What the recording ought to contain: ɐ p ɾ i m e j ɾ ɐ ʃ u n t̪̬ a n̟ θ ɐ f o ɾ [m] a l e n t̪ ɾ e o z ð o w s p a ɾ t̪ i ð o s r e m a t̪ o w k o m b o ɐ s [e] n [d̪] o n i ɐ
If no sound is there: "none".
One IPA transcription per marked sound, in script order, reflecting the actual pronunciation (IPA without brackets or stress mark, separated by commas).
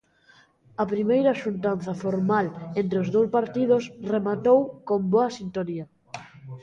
m, i, t̪